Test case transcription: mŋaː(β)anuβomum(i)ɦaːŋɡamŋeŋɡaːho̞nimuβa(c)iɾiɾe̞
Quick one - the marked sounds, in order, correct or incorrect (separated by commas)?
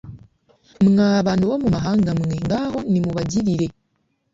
correct, incorrect, incorrect